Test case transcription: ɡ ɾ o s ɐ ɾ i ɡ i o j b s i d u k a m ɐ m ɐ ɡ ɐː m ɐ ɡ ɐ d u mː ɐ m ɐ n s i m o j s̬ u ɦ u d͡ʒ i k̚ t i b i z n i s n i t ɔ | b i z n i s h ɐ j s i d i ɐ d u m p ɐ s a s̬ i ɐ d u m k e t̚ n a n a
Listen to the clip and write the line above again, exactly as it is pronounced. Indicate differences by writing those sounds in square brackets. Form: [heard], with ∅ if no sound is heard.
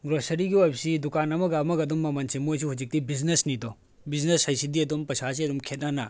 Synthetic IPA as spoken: ɡ ɾ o s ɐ ɾ i ɡ i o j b s i d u k a [n] ɐ m ɐ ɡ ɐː m ɐ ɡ ɐ d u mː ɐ m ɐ n s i m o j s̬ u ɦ u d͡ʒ i k̚ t i b i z n [e] s n i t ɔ | b i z n [e] s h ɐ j s i d i ɐ d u m p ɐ s a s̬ i ɐ d u m [kʰ] e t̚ n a n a